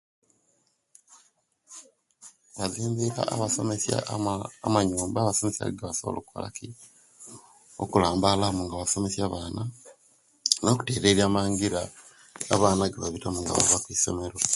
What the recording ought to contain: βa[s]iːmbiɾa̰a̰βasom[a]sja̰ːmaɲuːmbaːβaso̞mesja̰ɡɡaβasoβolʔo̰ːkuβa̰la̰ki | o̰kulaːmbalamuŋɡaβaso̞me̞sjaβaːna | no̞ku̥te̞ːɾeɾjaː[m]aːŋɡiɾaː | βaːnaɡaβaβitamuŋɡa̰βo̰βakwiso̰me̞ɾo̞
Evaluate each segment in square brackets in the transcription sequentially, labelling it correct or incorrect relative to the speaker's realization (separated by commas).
incorrect, incorrect, correct